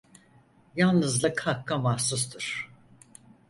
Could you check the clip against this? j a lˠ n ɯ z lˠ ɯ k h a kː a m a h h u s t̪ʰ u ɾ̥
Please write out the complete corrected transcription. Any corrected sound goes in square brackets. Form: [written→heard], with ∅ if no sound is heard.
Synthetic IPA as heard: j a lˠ n ɯ z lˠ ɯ k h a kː a m a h [h→s] u s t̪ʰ [u→ɯ] ɾ̥